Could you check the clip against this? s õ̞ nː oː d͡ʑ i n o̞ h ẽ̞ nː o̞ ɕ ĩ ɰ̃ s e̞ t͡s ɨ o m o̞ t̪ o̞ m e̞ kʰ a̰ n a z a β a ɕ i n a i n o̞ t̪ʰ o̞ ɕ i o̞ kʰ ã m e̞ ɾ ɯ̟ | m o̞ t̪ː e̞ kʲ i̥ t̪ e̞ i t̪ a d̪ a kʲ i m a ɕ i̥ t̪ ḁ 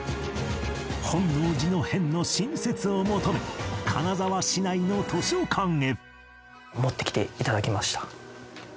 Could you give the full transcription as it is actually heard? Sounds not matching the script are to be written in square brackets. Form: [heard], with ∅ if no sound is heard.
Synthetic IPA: [h] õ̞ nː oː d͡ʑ i n o̞ h ẽ̞ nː o̞ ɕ ĩ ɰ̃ s e̞ t͡s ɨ o m o̞ t̪ o̞ m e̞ kʰ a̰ n a z a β a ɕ i n a i n o̞ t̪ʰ o̞ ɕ i o̞ kʰ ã [ŋ] e̞ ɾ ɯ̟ | m o̞ t̪ː e̞ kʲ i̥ t̪ e̞ i t̪ a d̪ a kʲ i m a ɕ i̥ t̪ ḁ

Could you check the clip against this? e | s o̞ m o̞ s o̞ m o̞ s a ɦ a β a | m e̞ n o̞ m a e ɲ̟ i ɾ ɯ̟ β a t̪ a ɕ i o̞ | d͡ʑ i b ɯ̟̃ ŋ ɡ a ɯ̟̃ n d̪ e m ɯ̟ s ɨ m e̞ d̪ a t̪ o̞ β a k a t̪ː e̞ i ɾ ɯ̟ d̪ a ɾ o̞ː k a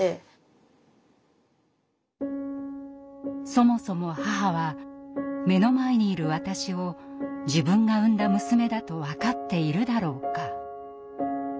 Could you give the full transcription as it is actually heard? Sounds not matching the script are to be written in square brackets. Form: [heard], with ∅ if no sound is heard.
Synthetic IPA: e | s o̞ m o̞ s o̞ m o̞ [h] a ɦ a β a | m e̞ n o̞ m a e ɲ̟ [iː] ɾ ɯ̟ β a t̪ a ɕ i o̞ | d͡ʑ i b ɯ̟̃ ŋ ɡ a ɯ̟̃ n d̪ [a] m ɯ̟ s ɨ m e̞ d̪ a t̪ o̞ β a k a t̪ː e̞ i ɾ ɯ̟ d̪ a ɾ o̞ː k a

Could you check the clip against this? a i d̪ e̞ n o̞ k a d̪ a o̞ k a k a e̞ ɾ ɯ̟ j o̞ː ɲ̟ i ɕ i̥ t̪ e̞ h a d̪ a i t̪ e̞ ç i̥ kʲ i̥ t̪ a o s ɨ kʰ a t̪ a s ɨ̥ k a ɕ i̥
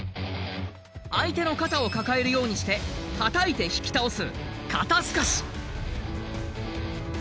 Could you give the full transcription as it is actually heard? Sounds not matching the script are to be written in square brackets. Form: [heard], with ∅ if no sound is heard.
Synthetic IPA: a i [t̪] e̞ n o̞ k a [t̪] a o̞ k a k a e̞ ɾ ɯ̟ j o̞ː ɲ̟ i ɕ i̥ t̪ e̞ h a [t̪] a i t̪ e̞ ç i̥ kʲ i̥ t̪ a o s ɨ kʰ a t̪ a s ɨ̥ k a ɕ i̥

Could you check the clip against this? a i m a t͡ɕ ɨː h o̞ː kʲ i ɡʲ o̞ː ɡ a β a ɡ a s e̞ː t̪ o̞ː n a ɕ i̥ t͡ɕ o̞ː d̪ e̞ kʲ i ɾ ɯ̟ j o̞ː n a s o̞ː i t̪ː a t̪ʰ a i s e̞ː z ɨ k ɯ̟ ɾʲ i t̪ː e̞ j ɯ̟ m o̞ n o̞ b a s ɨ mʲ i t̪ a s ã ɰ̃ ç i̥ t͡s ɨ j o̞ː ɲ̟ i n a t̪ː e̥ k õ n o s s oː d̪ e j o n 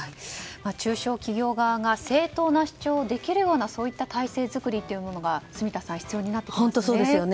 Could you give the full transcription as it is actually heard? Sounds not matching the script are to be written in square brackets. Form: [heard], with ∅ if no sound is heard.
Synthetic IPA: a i m a t͡ɕ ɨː [ɕ] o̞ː kʲ i ɡʲ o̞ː ɡ a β a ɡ a s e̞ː t̪ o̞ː n a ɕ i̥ t͡ɕ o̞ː d̪ e̞ kʲ i ɾ ɯ̟ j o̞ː n a s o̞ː i t̪ː a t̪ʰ a i s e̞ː z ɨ k ɯ̟ ɾʲ i t̪ː e̞ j ɯ̟ m o̞ n o̞ [ɡ] a s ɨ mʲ i t̪ a s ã ɰ̃ ç i̥ t͡s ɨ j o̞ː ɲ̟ i n a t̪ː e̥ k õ n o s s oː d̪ e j o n

